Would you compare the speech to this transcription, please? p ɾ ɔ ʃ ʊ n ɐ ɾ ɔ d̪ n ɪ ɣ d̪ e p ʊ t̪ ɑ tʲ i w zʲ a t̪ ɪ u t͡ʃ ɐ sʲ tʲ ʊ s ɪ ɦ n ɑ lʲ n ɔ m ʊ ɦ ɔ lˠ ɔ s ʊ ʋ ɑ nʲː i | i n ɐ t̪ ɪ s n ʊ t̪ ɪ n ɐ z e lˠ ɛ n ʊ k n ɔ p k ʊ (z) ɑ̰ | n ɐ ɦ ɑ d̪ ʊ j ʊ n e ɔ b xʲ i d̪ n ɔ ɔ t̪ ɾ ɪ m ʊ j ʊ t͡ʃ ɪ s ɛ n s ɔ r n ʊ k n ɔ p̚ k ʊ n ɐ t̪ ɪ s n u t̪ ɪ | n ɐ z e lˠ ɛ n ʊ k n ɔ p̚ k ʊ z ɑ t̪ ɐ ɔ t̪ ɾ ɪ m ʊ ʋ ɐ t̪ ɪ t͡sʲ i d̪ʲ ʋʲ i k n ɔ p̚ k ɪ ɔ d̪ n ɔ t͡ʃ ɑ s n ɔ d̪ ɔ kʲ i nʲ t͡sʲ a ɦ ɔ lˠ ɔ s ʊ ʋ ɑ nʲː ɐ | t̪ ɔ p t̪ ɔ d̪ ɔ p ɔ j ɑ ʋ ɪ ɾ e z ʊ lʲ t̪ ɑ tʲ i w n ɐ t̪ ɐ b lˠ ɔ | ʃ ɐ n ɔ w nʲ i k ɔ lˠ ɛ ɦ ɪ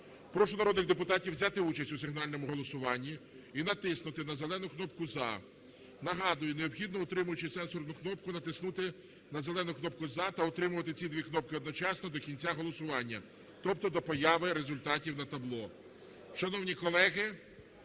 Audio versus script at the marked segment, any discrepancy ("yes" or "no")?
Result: no